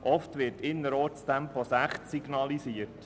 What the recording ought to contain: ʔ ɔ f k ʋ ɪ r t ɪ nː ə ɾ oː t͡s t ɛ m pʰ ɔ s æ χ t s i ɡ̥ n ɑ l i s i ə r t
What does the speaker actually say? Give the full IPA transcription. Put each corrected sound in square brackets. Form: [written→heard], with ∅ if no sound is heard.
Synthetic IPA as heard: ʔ ɔ f [k→t] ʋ ɪ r t ɪ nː ə ɾ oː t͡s t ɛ m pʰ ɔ s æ χ t s i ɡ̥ n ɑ l i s i ə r t